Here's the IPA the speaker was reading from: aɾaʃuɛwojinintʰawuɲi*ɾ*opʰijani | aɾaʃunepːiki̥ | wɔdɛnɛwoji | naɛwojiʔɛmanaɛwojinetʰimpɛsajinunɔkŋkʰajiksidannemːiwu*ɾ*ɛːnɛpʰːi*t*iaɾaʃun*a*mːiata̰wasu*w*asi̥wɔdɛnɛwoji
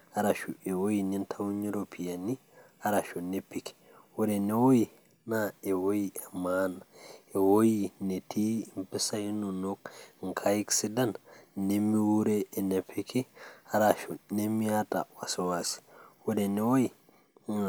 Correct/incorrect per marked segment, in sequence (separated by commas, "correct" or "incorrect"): correct, correct, incorrect, incorrect, correct